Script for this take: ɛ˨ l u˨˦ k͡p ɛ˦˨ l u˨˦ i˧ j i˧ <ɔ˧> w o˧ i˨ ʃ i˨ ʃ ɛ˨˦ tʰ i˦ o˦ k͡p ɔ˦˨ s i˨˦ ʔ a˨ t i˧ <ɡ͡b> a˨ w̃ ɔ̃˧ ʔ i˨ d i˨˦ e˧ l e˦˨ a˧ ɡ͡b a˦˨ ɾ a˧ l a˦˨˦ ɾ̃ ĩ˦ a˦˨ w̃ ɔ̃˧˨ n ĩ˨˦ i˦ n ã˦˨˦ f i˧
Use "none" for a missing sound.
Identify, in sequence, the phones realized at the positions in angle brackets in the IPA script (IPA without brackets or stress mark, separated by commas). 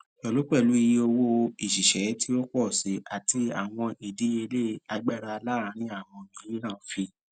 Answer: o˧, none